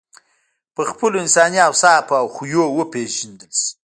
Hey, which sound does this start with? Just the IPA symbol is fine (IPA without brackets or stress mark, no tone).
p